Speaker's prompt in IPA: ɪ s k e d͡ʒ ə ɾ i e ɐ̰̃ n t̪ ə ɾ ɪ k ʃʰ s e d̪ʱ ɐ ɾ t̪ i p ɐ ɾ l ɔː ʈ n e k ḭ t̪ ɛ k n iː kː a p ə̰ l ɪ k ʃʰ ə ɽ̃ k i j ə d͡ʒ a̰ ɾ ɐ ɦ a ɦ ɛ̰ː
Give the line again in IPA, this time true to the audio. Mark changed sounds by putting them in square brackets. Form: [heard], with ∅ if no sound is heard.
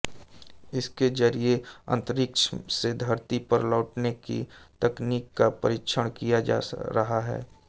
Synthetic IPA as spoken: ɪ s k e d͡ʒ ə ɾ i e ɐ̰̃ n t̪ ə ɾ ɪ k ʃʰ s e d̪ʱ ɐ ɾ t̪ i p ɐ ɾ l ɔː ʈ n e k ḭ t̪ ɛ k n iː kː a p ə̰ [ɾ] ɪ k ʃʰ ə ɽ̃ k i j [a] d͡ʒ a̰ ɾ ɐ ɦ a ɦ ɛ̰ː